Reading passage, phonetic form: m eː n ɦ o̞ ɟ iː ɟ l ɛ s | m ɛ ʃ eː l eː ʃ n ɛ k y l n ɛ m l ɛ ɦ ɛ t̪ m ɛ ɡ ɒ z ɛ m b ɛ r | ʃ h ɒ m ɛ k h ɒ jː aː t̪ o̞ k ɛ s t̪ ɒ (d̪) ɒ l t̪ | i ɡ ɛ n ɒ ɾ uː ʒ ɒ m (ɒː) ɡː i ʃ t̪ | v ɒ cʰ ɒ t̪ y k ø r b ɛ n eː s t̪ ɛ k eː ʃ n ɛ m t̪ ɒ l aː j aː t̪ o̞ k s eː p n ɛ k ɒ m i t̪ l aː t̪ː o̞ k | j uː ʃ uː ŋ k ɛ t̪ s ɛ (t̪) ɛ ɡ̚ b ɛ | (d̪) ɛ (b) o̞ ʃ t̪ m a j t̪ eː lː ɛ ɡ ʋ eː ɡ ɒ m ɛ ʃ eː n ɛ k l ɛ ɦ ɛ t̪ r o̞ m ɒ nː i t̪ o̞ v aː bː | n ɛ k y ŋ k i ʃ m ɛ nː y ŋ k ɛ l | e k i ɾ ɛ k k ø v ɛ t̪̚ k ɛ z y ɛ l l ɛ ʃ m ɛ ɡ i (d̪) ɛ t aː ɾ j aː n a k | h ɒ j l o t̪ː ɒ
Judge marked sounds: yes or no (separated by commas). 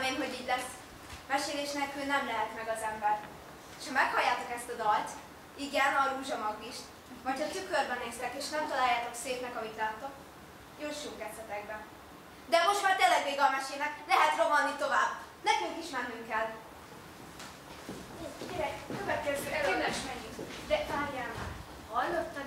yes, no, yes, yes, no, yes